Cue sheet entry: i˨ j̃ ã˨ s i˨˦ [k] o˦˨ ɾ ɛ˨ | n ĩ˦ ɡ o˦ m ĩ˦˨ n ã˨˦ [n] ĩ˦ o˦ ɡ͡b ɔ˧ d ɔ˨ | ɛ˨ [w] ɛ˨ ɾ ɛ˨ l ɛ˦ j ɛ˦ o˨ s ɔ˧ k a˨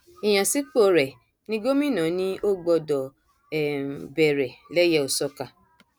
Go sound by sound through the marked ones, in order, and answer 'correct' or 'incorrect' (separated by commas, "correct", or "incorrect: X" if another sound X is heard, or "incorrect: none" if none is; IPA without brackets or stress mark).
incorrect: k͡p, correct, incorrect: b